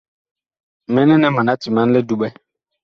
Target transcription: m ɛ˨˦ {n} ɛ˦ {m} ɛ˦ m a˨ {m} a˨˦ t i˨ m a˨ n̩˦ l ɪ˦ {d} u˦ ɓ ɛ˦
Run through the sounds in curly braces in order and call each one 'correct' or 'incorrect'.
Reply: correct, incorrect, incorrect, correct

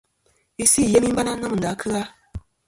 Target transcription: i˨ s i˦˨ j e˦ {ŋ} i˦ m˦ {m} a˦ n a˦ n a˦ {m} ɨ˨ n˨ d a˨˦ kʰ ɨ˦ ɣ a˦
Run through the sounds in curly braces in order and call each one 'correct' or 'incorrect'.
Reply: incorrect, incorrect, correct

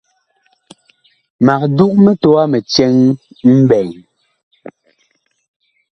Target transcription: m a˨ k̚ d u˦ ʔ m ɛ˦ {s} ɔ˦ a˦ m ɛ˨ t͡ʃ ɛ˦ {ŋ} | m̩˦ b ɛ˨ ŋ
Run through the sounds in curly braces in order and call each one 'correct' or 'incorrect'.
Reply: incorrect, correct

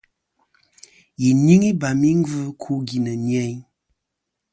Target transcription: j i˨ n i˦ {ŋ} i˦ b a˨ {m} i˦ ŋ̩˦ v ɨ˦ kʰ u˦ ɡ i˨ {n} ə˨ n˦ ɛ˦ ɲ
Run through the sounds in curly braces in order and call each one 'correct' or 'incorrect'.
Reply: correct, correct, correct

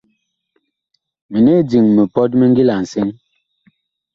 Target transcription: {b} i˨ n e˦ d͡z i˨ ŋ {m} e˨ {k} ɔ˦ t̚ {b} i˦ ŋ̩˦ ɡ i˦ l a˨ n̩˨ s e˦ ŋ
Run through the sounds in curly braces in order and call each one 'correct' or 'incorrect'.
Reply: incorrect, correct, incorrect, incorrect

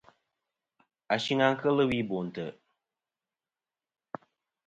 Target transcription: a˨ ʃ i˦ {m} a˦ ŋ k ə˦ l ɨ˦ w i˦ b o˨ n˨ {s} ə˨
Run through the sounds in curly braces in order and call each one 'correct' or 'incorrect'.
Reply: incorrect, incorrect

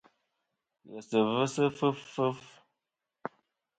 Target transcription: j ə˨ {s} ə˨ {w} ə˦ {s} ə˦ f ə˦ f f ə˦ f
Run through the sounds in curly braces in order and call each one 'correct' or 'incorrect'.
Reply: correct, incorrect, correct

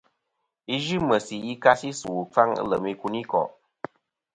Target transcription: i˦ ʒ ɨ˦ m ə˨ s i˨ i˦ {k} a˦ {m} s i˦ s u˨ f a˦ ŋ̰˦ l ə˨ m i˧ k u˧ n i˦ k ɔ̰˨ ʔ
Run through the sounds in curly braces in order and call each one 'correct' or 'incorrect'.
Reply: correct, incorrect

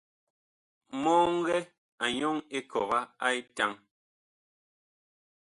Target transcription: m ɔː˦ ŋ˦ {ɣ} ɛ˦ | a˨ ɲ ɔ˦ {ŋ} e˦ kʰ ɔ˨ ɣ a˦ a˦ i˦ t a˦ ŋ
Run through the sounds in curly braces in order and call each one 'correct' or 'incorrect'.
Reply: correct, correct

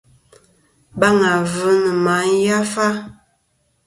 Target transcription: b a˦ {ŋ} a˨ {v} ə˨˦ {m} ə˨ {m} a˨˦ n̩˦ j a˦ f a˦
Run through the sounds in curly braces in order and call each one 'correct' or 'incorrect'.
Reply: correct, correct, incorrect, correct

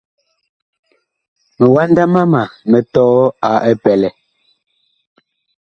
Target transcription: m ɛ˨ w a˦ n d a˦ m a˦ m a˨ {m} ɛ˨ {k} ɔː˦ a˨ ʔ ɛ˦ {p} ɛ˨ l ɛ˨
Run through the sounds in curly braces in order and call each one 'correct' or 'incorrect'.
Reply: correct, incorrect, correct

